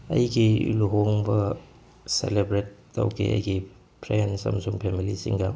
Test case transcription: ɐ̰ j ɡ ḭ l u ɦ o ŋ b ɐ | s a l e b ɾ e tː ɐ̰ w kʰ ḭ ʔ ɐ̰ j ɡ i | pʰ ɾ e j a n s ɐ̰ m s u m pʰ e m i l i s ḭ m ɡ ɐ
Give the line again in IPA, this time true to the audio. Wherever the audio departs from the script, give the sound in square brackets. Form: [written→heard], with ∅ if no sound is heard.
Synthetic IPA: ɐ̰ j ɡ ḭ l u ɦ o ŋ b ɐ | s [a→e] l e b ɾ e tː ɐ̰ w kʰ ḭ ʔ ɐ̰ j ɡ i | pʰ ɾ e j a n s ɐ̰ m s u [m→ŋ] pʰ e m i l i s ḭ [m→ŋ] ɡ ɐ